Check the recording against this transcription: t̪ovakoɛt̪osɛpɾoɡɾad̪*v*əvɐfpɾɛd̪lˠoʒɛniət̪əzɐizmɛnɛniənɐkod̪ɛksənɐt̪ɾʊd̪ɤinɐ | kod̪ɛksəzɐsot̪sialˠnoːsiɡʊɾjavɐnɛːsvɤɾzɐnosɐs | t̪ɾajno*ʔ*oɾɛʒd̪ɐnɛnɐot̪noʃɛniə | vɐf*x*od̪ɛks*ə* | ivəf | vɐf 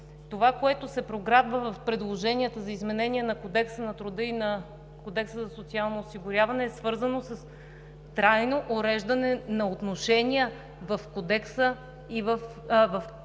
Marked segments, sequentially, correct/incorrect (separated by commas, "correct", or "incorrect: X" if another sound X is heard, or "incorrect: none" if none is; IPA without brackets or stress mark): correct, correct, incorrect: k, correct